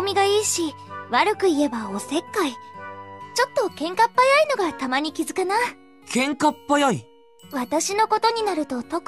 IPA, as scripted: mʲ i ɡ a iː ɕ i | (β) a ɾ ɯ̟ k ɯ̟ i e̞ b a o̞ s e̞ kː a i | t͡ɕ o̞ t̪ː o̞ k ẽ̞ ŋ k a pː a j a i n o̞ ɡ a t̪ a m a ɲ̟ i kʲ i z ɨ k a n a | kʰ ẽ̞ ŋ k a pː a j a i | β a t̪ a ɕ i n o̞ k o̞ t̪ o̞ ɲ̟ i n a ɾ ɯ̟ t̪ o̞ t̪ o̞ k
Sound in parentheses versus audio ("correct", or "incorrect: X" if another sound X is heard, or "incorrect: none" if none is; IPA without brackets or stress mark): correct